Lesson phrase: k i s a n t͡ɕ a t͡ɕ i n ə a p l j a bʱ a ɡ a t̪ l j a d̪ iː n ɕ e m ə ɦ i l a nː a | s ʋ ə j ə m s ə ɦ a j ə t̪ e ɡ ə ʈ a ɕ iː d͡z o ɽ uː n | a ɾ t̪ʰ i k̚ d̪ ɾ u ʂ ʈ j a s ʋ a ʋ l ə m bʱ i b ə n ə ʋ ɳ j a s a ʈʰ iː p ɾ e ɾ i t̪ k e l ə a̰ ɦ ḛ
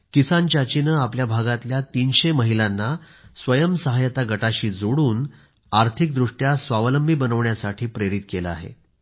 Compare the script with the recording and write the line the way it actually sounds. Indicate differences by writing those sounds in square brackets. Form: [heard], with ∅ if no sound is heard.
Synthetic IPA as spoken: k i s a n t͡ɕ a t͡ɕ i n ə a p l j a bʱ a ɡ a t̪ l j a [t̪] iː n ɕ e m ə ɦ i l a nː a | s ʋ ə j ə m s ə ɦ a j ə t̪ [a] ɡ ə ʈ a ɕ iː d͡z o ɽ uː n | a ɾ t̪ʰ i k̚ d̪ ɾ u ʂ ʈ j a s ʋ a ʋ l ə m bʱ i b ə n ə ʋ ɳ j a s a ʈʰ iː p ɾ e ɾ i t̪ k e l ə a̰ ɦ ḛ